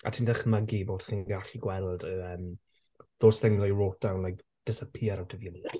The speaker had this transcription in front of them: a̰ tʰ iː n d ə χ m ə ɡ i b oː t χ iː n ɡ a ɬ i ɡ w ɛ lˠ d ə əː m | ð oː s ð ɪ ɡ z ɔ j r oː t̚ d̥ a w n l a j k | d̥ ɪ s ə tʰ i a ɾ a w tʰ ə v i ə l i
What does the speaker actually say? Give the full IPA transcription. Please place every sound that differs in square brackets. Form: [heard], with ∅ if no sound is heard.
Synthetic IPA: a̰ tʰ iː n d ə χ m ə ɡ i b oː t χ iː n ɡ a ɬ i ɡ w ɛ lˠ d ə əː m | ð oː s [θ] ɪ [ŋ] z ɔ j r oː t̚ d̥ a w n l a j k | d̥ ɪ s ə [pʰ] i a ɾ a w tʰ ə v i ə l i